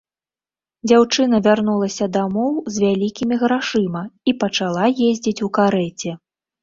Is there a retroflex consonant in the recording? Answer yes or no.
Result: yes